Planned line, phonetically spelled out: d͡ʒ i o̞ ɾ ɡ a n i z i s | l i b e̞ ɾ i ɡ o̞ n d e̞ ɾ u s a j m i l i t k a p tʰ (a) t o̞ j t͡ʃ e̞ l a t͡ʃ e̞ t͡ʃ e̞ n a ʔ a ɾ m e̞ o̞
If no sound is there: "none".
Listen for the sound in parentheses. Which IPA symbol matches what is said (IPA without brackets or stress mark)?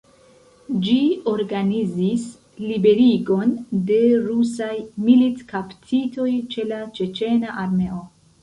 i